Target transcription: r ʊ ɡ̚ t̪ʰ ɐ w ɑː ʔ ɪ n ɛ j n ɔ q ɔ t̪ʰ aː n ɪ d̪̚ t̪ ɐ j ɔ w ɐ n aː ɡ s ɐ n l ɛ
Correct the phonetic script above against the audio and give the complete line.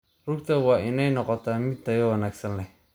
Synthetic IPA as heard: r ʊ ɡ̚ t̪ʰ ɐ w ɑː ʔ ɪ n ɛ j n ɔ q ɔ t̪ʰ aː m ɪ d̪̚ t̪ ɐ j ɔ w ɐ n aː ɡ s ɐ n l ɛ